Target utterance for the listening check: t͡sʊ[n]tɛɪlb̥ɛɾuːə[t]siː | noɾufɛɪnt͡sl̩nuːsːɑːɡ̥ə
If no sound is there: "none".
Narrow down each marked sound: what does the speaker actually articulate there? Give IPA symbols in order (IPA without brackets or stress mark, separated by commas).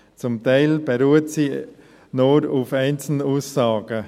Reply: m, t